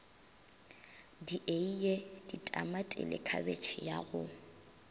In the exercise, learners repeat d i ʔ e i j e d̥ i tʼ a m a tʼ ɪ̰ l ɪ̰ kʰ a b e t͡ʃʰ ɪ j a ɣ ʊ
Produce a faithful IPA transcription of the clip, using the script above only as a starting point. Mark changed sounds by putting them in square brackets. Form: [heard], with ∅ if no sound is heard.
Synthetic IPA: d i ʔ e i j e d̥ i tʼ a m a tʼ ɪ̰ l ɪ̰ kʰ a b e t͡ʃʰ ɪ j a ɣ ʊ